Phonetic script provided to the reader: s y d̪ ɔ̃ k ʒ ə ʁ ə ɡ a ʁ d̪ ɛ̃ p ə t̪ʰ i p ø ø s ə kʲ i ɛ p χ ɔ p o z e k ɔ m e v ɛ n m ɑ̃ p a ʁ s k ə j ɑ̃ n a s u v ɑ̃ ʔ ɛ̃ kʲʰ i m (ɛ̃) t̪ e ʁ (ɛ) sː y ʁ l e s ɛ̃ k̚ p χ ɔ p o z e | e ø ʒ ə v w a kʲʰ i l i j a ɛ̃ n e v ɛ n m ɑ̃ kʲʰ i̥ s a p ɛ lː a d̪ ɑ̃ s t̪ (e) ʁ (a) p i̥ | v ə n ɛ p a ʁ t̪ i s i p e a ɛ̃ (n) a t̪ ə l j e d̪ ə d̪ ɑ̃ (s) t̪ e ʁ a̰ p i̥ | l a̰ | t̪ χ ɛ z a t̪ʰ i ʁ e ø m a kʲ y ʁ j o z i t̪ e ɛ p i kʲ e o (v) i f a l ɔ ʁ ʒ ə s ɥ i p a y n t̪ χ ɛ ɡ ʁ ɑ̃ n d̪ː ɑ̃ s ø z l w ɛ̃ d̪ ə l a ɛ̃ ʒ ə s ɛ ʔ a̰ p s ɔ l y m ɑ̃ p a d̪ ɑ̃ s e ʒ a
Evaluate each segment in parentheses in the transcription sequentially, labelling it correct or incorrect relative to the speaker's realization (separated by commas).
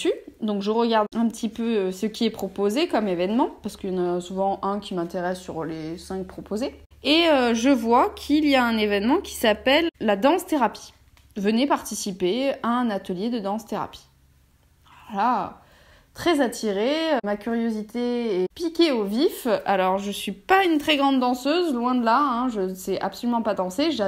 correct, correct, correct, correct, correct, correct, correct